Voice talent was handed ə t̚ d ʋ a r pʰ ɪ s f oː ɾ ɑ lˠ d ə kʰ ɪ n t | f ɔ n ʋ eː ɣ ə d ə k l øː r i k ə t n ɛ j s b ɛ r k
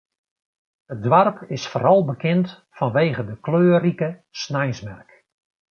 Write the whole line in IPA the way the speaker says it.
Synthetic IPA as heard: ə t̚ d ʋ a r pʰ ɪ s f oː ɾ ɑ lˠ b ə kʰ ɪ n t | f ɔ n ʋ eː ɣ ə d ə k l øː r i k ə s n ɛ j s m ɛ r k